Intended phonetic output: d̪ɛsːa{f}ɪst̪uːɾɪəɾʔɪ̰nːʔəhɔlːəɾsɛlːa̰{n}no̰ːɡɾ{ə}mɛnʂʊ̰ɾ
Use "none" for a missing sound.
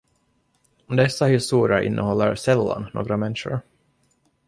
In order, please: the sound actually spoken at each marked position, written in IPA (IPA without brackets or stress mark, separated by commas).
h, n, a